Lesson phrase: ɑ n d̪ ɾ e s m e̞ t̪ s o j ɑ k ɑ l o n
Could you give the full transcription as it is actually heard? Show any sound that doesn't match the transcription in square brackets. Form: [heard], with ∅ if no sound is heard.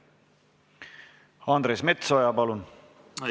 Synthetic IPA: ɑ n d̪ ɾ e s m e̞ t̪ s o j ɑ [p] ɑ l [u] n

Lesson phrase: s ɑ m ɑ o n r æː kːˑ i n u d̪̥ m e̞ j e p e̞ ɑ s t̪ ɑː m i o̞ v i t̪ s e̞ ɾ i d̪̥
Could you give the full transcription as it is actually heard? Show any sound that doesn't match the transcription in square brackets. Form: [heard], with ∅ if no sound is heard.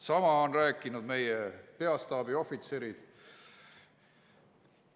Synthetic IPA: s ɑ m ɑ o n r æː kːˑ i n u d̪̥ m e̞ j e p e̞ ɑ s t̪ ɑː [b] i o̞ [f] i t̪ s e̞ ɾ i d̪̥

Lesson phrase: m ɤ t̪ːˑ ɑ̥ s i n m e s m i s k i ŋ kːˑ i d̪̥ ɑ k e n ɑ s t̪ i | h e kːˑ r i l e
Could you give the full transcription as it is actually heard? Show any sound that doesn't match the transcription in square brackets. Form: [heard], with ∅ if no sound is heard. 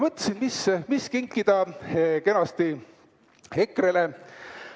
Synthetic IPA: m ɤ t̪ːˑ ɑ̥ s i n m [i] s m i s k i ŋ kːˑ i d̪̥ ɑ k e n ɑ s t̪ i | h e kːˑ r [e] l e

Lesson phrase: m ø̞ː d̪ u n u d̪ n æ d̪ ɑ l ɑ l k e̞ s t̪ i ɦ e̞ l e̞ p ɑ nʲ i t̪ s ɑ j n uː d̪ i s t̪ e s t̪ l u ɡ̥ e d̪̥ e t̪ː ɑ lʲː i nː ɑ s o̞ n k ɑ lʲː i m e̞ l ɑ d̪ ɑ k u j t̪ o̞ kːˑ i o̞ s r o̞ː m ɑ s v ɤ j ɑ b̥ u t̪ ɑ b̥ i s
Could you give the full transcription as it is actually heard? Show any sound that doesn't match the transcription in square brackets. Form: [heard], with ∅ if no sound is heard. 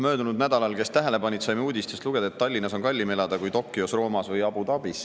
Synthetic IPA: m ø̞ː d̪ u n u d̪ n æ d̪ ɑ l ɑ l k e̞ s t̪ [æ] ɦ e̞ l e̞ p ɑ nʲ i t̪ s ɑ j [m] uː d̪ i s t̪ e s t̪ l u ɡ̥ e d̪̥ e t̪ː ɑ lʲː i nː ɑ s o̞ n k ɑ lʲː i m e̞ l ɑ d̪ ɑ k u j t̪ o̞ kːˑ i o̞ s r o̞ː m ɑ s v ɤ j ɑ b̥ u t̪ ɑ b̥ i s

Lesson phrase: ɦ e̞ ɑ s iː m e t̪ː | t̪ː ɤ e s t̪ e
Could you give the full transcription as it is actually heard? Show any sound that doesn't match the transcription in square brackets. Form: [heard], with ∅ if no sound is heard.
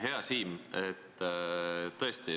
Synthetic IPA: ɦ e̞ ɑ s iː m e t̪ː | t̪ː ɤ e s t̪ [i]

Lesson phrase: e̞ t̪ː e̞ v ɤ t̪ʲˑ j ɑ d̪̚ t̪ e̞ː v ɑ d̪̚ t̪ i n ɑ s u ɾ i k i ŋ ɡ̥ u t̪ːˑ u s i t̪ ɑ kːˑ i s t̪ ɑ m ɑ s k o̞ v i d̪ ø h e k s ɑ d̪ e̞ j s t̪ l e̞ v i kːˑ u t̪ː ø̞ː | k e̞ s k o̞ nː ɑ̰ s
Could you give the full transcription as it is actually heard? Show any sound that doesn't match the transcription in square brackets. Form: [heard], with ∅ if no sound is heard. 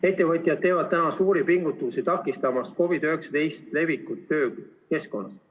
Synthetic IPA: e̞ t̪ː e̞ v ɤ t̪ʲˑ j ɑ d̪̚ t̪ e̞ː v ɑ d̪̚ t̪ [æ] n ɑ s [uː] ɾ i [p] i ŋ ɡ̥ u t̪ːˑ u s i t̪ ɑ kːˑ i s t̪ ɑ m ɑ s k o̞ v i d̪ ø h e k s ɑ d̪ e̞ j s t̪ l e̞ v i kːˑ u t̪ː ø̞ː | k e̞ s k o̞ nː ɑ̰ s

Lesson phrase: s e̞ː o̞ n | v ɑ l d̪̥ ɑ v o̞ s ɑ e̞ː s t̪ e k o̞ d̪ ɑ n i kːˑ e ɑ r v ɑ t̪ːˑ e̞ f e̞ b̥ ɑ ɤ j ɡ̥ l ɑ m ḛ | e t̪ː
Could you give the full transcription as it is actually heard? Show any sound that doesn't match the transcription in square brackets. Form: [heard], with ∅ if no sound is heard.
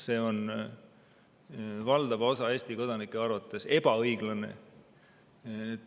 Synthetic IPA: s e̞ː o̞ n | v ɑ l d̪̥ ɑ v o̞ s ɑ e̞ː s t̪ [i] k o̞ d̪ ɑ n i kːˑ e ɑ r v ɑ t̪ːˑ e̞ [s] e̞ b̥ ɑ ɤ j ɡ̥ l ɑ [n] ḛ | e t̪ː

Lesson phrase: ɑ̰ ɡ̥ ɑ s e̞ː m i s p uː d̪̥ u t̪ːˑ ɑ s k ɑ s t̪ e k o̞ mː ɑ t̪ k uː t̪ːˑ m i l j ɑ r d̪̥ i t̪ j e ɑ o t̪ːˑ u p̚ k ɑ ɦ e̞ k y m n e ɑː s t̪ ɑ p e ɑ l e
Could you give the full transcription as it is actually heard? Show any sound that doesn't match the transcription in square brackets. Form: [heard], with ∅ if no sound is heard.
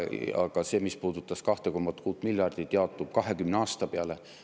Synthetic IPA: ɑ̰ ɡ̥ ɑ s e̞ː m i s p uː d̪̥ u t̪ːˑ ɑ s k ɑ [h] t̪ e k o̞ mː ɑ t̪ k uː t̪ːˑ m i l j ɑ r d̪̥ i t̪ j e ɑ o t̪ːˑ u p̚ k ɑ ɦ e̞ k y m n e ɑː s t̪ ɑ p e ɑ l e

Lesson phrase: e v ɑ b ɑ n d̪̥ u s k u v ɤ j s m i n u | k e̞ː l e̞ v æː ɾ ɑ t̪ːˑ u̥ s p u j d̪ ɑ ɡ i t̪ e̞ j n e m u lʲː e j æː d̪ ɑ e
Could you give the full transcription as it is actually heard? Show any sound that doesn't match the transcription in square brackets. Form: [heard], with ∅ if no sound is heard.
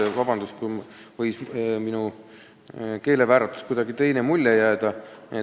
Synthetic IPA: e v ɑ b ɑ n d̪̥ u s k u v ɤ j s m i n u | k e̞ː l e̞ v æː ɾ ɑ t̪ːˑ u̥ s [k] u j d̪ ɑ ɡ i t̪ e̞ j n e m u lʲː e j æː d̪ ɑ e

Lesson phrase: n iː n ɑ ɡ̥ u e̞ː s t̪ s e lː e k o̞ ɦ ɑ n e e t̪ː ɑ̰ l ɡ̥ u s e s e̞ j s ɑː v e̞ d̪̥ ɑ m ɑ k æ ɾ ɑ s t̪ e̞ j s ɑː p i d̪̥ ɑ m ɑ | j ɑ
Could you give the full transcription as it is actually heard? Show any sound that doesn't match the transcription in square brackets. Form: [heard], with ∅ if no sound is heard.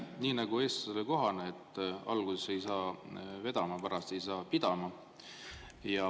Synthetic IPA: n iː n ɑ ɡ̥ u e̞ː s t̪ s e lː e k o̞ ɦ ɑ n e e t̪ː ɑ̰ l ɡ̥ u s e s e̞ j s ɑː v e̞ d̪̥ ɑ m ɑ [p] æ ɾ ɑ s t̪ e̞ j s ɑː p i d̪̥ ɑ m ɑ | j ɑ

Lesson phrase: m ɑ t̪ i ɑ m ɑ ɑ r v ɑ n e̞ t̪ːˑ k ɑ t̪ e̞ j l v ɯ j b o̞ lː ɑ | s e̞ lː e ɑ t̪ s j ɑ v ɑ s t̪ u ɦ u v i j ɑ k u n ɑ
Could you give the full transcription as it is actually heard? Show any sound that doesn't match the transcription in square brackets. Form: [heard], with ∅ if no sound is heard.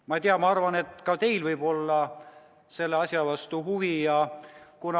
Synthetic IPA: m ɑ t̪ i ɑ m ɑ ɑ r v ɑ n e̞ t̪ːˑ k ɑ t̪ e̞ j l v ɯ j b o̞ lː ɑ | s e̞ lː e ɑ [∅] s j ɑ v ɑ s t̪ u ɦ u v i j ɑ k u n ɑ

